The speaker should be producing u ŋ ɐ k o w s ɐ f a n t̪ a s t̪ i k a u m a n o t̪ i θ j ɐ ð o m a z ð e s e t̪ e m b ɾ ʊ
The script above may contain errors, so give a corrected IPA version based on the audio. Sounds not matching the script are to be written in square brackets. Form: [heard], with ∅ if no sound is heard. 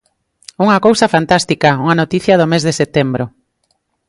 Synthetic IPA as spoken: u ŋ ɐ k o w s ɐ f a n t̪ a s t̪ i k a u [ŋ] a n o t̪ i θ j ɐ ð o m [e] z ð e s e t̪ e m b ɾ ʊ